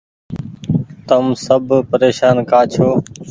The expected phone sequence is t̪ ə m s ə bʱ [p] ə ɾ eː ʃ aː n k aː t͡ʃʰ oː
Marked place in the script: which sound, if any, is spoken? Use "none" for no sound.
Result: p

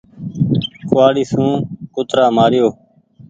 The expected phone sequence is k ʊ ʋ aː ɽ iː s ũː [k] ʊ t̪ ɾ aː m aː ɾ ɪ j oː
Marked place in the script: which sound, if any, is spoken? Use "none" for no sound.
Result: k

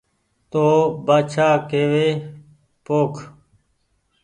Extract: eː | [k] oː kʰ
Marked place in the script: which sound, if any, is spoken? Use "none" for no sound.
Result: p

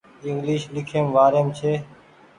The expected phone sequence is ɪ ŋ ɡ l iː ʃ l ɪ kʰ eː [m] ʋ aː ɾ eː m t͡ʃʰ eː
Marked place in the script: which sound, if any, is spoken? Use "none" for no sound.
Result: m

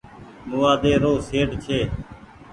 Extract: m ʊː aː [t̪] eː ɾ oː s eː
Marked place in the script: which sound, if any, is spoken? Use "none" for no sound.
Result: d̪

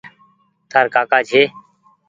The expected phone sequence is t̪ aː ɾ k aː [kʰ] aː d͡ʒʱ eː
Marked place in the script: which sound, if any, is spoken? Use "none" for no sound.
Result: k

